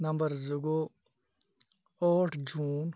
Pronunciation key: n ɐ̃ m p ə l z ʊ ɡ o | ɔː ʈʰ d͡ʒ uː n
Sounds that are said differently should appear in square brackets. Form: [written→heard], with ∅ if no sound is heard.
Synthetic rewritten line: n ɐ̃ m [p→b] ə [l→ɾ] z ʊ ɡ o | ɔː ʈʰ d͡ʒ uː n